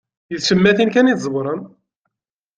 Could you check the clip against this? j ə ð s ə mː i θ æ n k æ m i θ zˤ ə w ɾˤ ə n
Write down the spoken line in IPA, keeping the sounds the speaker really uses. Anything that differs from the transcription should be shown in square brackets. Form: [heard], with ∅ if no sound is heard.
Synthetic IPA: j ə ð s ə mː [æ] θ [i] n k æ [n] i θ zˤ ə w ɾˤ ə n